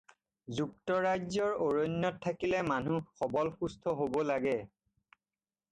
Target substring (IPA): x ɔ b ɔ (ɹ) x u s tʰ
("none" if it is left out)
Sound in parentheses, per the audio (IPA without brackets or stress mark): l